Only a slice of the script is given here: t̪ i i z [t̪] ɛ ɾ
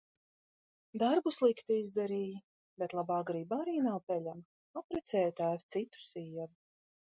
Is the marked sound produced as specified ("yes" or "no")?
no